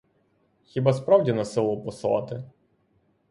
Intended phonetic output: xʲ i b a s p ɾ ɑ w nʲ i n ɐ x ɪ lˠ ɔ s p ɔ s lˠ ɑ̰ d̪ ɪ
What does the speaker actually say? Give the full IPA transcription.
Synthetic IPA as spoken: xʲ i b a s p ɾ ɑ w dʲ i n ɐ s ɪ lˠ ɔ p ɔ s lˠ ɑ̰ t̪ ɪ